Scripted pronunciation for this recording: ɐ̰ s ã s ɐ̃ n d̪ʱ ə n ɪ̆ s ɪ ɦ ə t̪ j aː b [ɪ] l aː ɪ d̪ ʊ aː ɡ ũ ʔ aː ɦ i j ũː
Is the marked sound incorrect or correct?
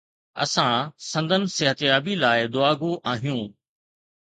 incorrect